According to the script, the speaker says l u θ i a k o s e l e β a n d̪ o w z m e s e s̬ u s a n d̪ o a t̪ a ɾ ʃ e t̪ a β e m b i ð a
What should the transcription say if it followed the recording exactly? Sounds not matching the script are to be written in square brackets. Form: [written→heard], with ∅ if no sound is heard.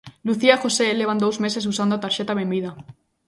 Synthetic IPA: l u θ i a [k→x] o s e l e β a n d̪ o w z m e s e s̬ u s a n d̪ o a t̪ a ɾ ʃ e t̪ a β e m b i ð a

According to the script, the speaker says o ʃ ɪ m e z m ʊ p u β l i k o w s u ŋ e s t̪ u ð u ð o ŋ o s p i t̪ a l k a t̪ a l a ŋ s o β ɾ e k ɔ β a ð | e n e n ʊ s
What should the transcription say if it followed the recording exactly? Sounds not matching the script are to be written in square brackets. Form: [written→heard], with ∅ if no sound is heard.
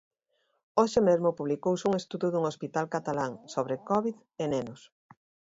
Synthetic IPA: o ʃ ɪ m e z m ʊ p u β l i k o w s u ŋ e s t̪ u ð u ð [o→u] ŋ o s p i t̪ a l k a t̪ a l a ŋ s o β ɾ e k ɔ β [a→i] ð | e n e n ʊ s

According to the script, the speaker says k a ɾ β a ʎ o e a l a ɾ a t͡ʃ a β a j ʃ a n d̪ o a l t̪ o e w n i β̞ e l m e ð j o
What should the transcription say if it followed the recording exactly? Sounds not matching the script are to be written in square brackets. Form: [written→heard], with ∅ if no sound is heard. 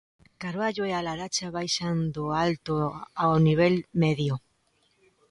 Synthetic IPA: k a ɾ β a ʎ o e a l a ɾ a t͡ʃ a β a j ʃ a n d̪ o a l t̪ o [e→a] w n i β̞ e l m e ð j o

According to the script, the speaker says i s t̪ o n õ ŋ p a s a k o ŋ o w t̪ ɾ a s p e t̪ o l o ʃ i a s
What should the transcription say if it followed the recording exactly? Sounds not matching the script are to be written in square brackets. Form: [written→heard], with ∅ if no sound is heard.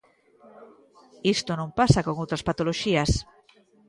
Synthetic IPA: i s t̪ o n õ [ŋ→m] p a s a k o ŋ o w t̪ ɾ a s p [e→a] t̪ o l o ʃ i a s

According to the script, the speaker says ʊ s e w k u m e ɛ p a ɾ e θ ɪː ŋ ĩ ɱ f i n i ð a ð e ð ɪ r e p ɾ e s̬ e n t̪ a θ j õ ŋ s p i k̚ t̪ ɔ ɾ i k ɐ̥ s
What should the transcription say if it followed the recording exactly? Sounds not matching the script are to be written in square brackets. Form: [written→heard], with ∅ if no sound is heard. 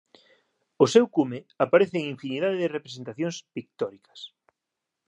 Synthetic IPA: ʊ s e w k u m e [ɛ→a] p a ɾ e θ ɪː ŋ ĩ ɱ f i n i ð a ð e ð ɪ r e p ɾ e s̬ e n t̪ a θ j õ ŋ s p i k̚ t̪ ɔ ɾ i k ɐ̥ s

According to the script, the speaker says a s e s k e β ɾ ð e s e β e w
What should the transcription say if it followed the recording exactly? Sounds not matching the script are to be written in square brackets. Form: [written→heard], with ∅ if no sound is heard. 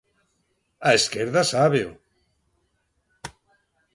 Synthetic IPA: a [s→∅] e s k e [β→∅] ɾ ð [e→a] s [e→a] β e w

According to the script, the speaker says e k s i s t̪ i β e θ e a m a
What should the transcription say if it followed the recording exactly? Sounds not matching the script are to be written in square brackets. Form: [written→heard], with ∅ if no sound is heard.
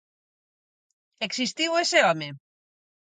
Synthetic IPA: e k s i s t̪ i [β→w] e [θ→s] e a m [a→e]

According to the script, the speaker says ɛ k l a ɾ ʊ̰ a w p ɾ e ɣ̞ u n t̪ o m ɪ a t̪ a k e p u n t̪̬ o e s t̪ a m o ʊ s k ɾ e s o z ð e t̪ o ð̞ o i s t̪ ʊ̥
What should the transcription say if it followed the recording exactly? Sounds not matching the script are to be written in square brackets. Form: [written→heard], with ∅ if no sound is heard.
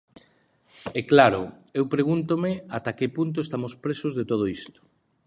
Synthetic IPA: ɛ k l a ɾ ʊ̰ [a→e] w p ɾ e ɣ̞ u n t̪ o m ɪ a t̪ a k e p u n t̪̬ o e s t̪ a m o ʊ s [k→p] ɾ e s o z ð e t̪ o ð̞ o i s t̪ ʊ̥

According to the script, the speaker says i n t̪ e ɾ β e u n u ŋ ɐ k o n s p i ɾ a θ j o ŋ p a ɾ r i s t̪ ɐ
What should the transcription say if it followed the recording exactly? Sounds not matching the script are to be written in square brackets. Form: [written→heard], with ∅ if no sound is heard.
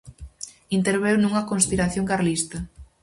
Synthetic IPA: i n t̪ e ɾ β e [u→w] n u ŋ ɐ k o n s p i ɾ a θ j o ŋ [p→k] a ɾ [r→l] i s t̪ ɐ

